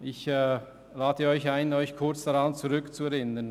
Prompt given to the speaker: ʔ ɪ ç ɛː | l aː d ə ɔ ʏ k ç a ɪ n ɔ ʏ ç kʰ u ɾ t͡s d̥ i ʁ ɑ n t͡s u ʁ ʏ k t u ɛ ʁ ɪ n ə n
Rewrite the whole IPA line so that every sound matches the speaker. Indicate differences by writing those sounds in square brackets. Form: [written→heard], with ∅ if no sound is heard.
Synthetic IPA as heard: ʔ ɪ ç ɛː | l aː d ə ɔ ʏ [k→∅] ç a ɪ n ɔ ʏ ç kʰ [u→ʊ] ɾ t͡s d̥ [i→a] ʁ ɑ n t͡s u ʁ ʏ k [t→t͡s] u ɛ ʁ ɪ n ə n